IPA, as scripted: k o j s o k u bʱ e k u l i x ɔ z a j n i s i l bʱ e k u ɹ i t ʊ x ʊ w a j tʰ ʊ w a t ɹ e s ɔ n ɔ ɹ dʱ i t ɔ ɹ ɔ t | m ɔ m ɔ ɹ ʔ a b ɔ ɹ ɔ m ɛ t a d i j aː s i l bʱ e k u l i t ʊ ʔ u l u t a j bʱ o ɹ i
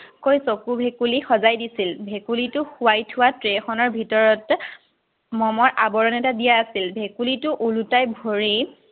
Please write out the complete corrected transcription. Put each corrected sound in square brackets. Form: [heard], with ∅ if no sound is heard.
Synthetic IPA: k o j s o k u bʱ e k u l i x ɔ z a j [d] i s i l bʱ e k u [l] i t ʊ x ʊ w a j tʰ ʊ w a t ɹ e [x] ɔ n ɔ ɹ [bʱ] i t ɔ ɹ ɔ t | m ɔ m ɔ ɹ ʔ a b ɔ ɹ ɔ [n] ɛ t a d i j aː s i l bʱ e k u l i t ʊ ʔ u l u t a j bʱ o ɹ i

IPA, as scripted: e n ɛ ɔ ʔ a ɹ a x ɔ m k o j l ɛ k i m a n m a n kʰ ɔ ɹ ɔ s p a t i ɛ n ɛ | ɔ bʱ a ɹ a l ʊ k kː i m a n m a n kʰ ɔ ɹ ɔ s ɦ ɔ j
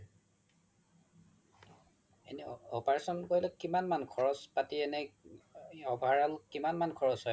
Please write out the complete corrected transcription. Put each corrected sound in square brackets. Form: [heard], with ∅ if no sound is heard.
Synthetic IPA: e n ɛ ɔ [p] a ɹ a [s] ɔ [n] k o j l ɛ k i m a n m a n kʰ ɔ ɹ ɔ s p a t i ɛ n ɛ | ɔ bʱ a ɹ a l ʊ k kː i m a n m a n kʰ ɔ ɹ ɔ s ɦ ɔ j

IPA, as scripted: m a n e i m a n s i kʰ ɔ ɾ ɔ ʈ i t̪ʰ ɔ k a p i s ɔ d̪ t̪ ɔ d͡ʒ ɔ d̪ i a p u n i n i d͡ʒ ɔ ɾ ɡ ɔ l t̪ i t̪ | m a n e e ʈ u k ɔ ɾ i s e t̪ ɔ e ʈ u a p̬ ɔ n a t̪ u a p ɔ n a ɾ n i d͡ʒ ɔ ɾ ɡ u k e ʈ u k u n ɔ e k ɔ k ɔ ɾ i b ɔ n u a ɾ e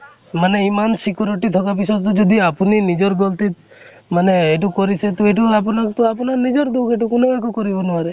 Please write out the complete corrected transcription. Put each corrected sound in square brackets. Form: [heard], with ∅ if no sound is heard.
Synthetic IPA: m a n e i m a n s i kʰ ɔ ɾ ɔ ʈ i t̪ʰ ɔ k a p i s ɔ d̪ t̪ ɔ d͡ʒ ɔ d̪ i a p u n i n i d͡ʒ ɔ ɾ ɡ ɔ l t̪ i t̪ | m a n e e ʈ u k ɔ ɾ i s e t̪ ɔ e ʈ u a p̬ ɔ n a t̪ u a p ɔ n a ɾ n i d͡ʒ ɔ ɾ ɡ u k e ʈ u k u n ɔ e k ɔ k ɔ ɾ i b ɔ n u a ɾ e

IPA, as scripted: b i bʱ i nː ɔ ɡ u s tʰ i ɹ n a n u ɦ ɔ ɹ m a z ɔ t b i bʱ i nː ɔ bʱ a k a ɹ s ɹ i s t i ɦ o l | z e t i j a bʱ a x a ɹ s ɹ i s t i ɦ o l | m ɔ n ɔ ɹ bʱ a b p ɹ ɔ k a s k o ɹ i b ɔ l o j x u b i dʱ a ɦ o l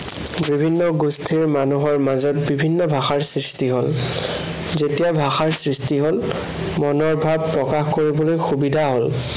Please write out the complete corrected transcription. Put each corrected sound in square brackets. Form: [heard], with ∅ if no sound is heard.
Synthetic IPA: b i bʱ i nː ɔ ɡ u s tʰ i ɹ [m] a n u ɦ ɔ ɹ m a z ɔ t b i bʱ i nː ɔ bʱ a [x] a ɹ s ɹ i s t i ɦ o l | z e t i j a bʱ a x a ɹ s ɹ i s t i ɦ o l | m ɔ n ɔ ɹ bʱ a b p ɹ ɔ k a [x] k o ɹ i b ɔ l o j x u b i dʱ a ɦ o l

